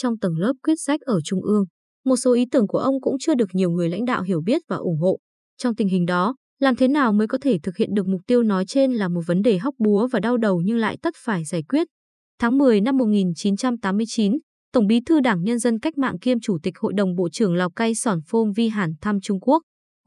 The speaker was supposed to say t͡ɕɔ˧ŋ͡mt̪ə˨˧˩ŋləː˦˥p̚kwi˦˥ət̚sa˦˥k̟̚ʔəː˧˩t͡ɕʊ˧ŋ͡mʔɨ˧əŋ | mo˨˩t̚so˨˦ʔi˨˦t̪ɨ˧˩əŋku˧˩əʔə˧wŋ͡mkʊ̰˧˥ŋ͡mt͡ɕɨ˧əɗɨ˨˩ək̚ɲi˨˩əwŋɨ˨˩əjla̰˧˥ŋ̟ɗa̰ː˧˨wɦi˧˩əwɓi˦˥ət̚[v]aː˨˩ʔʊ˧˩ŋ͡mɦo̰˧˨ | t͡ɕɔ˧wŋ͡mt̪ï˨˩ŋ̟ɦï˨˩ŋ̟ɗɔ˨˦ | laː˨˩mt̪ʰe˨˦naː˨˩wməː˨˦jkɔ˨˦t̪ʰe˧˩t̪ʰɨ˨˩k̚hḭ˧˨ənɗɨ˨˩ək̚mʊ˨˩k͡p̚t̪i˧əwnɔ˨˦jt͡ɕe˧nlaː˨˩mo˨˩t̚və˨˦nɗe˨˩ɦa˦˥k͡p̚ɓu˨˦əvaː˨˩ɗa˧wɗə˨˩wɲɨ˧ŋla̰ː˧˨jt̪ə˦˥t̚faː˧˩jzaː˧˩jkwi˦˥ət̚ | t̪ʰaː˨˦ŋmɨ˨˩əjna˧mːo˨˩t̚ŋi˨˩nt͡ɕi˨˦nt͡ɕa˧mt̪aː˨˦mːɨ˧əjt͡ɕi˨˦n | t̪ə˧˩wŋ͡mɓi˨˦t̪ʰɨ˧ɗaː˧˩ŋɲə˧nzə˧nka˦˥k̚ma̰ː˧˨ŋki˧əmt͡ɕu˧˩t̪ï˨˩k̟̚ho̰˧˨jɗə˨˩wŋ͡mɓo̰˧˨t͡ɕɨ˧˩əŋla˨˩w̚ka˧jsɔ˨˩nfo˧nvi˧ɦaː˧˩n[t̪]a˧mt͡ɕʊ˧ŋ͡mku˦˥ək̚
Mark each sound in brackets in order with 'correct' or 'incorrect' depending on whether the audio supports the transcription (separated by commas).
correct, incorrect